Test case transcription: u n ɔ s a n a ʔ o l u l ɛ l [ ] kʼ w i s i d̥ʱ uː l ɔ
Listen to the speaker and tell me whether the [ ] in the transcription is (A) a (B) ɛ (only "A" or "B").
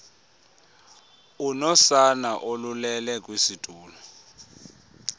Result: B